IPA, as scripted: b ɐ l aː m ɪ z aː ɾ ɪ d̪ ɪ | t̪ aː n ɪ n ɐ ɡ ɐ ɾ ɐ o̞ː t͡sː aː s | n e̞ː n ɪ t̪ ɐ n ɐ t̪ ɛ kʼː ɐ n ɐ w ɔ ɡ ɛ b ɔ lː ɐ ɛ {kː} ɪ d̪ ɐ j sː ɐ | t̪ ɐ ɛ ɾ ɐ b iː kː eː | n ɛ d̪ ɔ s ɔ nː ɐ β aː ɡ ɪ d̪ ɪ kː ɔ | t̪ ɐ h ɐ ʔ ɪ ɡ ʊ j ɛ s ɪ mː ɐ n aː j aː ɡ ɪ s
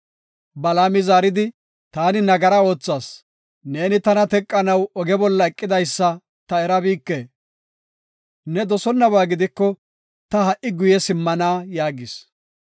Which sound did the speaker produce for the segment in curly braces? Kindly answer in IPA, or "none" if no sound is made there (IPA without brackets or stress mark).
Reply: kʼː